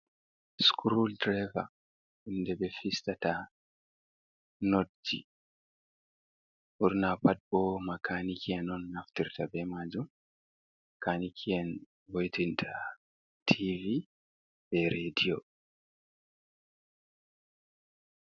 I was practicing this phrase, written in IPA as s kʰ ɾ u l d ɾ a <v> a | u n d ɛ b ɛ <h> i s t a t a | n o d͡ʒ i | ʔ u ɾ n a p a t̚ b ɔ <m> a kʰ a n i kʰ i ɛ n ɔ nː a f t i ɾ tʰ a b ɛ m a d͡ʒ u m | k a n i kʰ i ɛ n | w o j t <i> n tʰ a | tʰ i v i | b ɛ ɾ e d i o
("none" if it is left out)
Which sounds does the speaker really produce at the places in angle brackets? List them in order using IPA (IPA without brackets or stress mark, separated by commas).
v, f, m, i